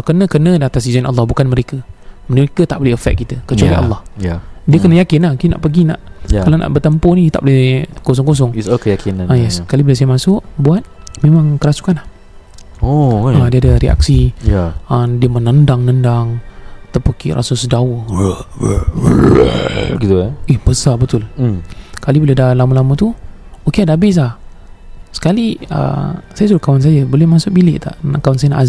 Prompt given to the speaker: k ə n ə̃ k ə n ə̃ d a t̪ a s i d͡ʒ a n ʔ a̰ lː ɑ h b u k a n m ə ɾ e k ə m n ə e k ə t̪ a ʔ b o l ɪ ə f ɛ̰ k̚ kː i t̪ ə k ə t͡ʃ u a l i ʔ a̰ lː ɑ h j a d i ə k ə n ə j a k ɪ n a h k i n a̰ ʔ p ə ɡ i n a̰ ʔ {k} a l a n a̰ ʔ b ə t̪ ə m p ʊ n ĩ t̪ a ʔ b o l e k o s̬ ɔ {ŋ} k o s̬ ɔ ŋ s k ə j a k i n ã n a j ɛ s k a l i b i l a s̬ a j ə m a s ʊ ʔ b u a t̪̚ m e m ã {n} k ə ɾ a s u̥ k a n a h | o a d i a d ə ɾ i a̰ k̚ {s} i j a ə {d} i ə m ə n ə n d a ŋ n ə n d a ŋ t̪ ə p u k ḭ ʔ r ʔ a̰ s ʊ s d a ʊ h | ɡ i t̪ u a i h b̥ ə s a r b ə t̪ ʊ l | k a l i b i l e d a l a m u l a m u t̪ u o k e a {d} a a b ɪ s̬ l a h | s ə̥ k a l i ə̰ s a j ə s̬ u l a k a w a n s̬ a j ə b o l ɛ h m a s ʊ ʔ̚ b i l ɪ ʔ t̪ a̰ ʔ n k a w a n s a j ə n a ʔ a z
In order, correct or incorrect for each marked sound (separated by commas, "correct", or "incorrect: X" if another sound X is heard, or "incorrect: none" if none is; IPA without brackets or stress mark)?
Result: correct, correct, incorrect: ŋ, correct, correct, correct